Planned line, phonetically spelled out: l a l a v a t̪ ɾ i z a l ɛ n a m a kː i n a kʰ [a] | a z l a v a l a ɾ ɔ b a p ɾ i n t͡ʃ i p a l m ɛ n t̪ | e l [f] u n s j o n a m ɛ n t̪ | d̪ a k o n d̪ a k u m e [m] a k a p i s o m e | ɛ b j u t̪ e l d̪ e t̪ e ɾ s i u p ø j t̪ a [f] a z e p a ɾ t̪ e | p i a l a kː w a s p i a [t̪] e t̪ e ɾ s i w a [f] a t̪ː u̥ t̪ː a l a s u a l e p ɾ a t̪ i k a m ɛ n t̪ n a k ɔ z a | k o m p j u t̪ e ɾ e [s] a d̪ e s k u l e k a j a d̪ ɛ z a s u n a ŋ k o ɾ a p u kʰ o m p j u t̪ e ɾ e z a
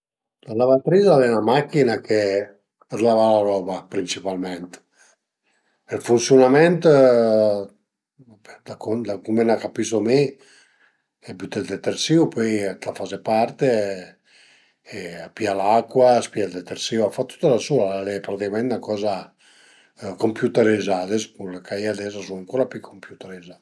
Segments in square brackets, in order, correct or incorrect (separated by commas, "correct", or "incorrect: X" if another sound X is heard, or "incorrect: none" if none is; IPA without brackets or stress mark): incorrect: e, correct, incorrect: n, correct, incorrect: d̪, correct, incorrect: z